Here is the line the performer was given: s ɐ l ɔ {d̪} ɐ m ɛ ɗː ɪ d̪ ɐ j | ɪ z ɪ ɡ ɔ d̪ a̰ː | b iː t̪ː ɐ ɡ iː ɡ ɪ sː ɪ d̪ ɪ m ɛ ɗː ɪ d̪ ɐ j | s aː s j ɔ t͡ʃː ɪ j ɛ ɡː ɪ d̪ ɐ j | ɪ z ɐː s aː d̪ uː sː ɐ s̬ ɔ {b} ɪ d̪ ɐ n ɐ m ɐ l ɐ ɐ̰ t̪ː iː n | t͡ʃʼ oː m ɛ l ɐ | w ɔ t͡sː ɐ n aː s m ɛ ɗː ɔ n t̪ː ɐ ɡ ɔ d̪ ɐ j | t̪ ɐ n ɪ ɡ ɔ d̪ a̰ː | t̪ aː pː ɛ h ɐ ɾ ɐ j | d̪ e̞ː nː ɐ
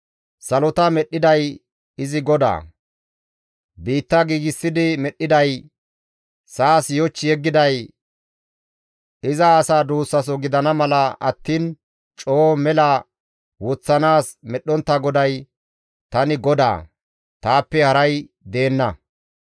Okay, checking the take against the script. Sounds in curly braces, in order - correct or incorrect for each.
incorrect, incorrect

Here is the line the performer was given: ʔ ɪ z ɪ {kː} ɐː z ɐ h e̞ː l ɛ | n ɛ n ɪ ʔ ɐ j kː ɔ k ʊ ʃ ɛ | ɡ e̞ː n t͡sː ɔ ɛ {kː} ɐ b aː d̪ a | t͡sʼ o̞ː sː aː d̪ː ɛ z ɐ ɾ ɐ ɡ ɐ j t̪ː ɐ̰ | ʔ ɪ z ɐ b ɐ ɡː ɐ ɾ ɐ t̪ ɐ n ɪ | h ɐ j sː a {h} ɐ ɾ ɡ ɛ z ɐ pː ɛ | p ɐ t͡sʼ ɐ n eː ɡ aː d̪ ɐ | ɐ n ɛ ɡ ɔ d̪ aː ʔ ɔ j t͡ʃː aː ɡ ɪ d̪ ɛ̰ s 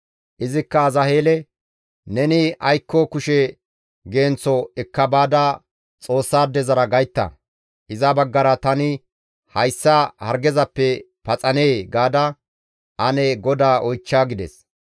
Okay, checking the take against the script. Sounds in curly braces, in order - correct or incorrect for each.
correct, correct, correct

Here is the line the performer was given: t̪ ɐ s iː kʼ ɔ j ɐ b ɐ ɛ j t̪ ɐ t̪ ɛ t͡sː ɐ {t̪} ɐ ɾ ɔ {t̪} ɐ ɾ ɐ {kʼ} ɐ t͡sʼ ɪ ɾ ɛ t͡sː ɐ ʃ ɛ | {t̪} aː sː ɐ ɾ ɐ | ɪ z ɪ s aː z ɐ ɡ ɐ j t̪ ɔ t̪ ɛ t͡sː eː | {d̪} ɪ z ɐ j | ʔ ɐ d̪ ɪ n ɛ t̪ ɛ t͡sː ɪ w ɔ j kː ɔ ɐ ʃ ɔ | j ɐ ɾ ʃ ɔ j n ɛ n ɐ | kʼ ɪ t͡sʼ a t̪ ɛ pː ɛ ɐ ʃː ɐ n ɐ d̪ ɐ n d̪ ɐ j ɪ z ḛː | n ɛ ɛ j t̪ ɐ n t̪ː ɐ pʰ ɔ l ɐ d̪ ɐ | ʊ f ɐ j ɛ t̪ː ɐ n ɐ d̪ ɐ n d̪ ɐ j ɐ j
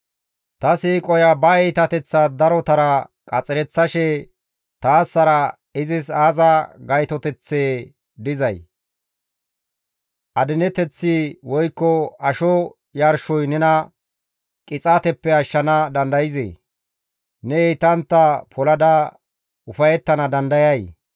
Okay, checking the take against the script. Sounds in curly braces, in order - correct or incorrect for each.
incorrect, correct, correct, correct, correct

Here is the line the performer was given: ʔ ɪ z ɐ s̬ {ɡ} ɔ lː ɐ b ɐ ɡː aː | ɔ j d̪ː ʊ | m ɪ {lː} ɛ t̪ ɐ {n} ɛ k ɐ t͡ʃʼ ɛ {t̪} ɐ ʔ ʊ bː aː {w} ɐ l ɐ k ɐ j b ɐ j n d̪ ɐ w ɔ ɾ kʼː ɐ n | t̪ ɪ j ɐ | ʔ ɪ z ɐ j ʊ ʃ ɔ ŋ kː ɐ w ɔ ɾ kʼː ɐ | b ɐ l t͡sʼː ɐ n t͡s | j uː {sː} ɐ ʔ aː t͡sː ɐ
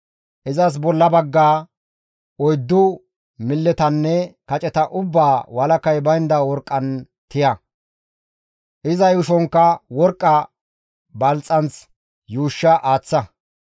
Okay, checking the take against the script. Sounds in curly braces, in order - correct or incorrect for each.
incorrect, correct, incorrect, correct, correct, incorrect

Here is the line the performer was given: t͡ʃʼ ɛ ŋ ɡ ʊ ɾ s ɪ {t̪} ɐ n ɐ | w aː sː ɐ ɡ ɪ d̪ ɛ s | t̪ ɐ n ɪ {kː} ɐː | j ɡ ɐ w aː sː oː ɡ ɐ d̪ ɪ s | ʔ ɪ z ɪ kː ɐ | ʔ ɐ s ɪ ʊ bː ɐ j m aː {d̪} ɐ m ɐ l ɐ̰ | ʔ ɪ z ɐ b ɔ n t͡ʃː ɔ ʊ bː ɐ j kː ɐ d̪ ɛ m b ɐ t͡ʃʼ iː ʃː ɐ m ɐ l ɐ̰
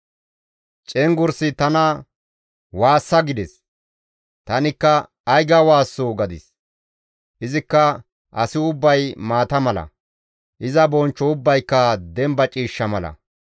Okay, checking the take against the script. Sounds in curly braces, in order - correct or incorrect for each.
correct, correct, incorrect

